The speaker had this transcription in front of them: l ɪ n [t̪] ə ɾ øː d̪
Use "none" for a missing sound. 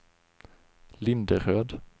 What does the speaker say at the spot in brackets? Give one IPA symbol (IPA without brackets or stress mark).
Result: d̪